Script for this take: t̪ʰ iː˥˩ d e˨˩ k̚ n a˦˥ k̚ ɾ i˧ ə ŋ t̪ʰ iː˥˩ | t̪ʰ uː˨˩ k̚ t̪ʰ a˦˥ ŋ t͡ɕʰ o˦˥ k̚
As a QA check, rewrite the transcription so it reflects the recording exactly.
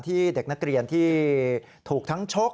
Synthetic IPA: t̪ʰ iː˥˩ d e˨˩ k̚ n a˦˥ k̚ ɾ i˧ ə n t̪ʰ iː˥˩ | t̪ʰ uː˨˩ k̚ t̪ʰ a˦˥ ŋ t͡ɕʰ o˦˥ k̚